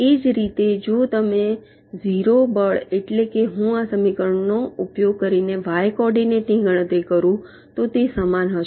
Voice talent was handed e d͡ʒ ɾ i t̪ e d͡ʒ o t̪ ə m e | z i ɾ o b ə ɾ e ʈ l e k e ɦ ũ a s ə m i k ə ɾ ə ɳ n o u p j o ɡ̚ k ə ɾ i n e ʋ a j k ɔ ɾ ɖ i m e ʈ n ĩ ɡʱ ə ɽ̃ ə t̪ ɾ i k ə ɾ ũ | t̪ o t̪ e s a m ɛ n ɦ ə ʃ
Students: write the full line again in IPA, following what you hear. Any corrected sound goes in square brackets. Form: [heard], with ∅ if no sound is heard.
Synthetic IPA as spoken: e d͡ʒ ɾ i t̪ e d͡ʒ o t̪ ə m e | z i ɾ o b ə [ɭ] e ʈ l e k e ɦ ũ a s ə m i k ə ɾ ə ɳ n o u p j o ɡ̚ k ə ɾ i n e ʋ a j k ɔ ɾ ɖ i [n] e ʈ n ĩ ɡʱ ə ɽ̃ ə t̪ ɾ i k ə ɾ ũ | t̪ o t̪ e s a m [a] n ɦ ə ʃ